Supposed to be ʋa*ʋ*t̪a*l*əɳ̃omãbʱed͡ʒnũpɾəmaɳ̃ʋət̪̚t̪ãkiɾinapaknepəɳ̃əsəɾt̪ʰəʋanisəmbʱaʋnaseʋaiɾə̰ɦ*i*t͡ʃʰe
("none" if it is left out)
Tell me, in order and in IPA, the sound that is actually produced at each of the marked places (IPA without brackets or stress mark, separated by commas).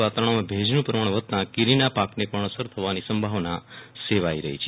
none, ɾ, i